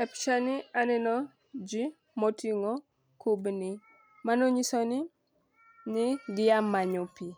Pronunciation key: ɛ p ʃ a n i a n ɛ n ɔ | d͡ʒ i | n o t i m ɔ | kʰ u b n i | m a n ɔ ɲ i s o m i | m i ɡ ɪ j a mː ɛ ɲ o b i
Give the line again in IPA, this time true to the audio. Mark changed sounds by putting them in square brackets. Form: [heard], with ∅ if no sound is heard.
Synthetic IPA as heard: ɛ p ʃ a n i a n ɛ n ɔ | d͡ʒ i | [m] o t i [ŋ] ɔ | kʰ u b n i | m a n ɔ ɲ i s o [n] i | [n] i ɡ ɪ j a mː [a] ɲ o [p] i